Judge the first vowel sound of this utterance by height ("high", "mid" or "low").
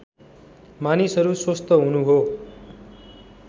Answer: low